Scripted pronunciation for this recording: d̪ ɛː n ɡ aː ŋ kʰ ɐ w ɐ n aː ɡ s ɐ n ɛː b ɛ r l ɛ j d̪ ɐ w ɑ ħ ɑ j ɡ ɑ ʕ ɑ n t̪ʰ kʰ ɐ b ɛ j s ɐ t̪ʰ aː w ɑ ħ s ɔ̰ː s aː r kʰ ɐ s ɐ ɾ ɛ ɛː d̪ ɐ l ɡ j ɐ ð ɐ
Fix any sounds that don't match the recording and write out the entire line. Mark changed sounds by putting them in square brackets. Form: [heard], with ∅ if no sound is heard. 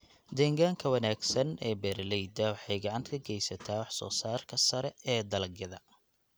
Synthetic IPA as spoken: d̪ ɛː [ŋ] ɡ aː ŋ kʰ ɐ w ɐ n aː ɡ s ɐ n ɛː b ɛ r l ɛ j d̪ ɐ w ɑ ħ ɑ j ɡ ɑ ʕ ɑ n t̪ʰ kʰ ɐ [ɡ] ɛ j s ɐ t̪ʰ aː w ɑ ħ s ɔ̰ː s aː r kʰ ɐ s ɐ ɾ ɛ ɛː d̪ ɐ l ɡ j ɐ ð ɐ